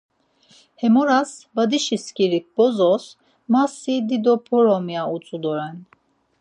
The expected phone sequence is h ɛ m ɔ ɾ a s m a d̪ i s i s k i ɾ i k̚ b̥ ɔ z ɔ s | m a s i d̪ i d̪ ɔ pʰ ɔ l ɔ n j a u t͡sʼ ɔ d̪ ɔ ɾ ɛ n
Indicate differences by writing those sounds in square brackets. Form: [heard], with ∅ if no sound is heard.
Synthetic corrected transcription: h ɛ m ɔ ɾ a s [b] a d̪ i [ʃ] i s k i ɾ i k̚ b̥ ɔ z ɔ s | m a s i d̪ i d̪ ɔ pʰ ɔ [ɾ] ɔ [m] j a u t͡sʼ [u] d̪ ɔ ɾ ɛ n